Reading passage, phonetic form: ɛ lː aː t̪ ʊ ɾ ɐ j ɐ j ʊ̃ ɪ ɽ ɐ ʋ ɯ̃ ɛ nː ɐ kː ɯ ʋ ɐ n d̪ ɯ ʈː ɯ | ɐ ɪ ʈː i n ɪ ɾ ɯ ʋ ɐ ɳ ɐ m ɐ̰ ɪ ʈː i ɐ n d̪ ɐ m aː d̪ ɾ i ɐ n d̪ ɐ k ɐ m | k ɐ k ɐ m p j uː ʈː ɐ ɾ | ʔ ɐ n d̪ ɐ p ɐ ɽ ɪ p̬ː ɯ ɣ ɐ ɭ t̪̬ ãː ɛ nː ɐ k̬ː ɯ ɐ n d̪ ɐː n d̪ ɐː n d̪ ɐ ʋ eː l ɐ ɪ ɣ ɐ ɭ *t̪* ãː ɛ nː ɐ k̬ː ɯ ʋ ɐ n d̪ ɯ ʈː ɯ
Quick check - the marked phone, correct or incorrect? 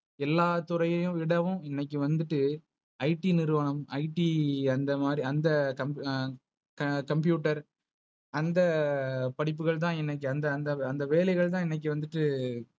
correct